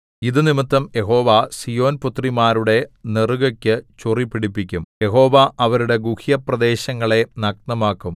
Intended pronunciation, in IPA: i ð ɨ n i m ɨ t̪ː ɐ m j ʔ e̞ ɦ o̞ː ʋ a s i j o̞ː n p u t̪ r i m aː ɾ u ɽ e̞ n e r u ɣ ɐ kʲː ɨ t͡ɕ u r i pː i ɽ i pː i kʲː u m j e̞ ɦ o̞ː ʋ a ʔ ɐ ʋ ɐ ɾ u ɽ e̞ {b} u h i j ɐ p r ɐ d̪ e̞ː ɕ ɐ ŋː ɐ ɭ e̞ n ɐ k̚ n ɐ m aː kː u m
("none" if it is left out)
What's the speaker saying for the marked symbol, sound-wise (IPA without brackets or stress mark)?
ɡ